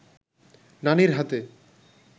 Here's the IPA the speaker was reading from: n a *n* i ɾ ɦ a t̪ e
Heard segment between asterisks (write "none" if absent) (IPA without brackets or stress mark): n